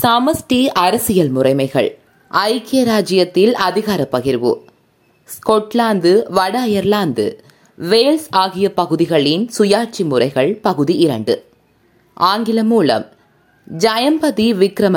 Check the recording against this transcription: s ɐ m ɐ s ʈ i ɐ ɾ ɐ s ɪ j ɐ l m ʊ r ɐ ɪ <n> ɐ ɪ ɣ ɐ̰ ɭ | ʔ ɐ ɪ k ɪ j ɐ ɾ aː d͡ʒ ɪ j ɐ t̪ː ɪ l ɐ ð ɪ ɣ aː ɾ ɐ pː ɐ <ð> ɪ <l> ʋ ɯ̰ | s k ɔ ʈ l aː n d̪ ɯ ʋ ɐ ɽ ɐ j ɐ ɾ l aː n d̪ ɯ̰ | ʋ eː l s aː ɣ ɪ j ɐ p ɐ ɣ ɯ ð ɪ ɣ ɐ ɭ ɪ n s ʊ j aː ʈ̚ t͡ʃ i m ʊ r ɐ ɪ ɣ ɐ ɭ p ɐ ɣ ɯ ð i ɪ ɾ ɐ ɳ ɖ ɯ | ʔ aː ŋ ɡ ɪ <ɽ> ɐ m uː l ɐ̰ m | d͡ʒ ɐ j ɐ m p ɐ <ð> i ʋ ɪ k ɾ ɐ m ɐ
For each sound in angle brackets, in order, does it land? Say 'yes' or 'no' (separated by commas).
no, no, no, no, yes